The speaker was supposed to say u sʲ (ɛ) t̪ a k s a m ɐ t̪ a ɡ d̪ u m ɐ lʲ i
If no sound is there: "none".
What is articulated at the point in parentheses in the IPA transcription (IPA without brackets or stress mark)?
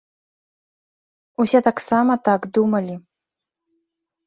ɛ